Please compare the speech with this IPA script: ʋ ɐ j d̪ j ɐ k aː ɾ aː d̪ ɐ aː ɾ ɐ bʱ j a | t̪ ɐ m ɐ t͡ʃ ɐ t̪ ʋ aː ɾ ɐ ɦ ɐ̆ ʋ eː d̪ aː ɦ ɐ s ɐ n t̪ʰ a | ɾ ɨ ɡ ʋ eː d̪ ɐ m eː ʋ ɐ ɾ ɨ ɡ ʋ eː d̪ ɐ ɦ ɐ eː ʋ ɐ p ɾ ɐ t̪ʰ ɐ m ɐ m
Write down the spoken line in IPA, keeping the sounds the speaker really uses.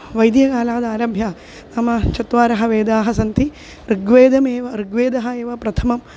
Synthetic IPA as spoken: ʋ ɐ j d̪ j ɐ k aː l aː d̪ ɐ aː ɾ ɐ bʱ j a | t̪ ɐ m ɐ t͡ʃ ɐ t̪ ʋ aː ɾ ɐ ɦ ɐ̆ ʋ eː d̪ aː ɦ ɐ s ɐ n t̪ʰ i | ɾ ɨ ɡ ʋ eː d̪ ɐ m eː ʋ ɐ ɾ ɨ ɡ ʋ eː d̪ ɐ ɦ ɐ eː ʋ ɐ p ɾ ɐ t̪ʰ ɐ m ɐ m